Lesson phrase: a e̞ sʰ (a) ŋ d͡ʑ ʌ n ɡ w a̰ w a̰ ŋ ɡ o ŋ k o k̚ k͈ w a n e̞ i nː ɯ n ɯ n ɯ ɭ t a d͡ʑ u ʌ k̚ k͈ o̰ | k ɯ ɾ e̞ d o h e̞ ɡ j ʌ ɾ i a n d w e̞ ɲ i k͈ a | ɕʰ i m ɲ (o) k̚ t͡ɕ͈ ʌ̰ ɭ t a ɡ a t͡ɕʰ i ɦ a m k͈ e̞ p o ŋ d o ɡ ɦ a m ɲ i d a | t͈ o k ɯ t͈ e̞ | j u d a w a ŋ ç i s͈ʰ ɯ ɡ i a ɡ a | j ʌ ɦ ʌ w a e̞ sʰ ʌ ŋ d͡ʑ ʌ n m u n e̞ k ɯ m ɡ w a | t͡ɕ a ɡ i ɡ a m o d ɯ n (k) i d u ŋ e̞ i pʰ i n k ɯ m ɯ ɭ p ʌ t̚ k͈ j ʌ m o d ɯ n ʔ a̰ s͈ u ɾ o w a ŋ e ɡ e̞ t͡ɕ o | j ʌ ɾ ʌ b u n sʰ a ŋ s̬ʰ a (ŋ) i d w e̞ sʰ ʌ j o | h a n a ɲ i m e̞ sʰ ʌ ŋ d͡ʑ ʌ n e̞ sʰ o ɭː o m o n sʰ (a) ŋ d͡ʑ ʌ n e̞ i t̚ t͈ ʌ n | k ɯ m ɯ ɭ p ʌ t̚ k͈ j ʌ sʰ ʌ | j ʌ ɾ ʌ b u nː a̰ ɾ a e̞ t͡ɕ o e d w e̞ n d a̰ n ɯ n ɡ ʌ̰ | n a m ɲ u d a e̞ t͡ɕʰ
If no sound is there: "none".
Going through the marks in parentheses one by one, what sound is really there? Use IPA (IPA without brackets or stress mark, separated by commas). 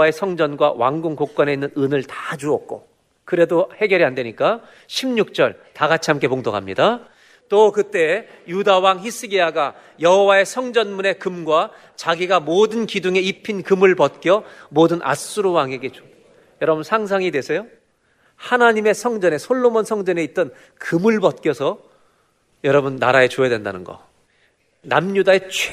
ʌ, u, k, ŋ, ʌ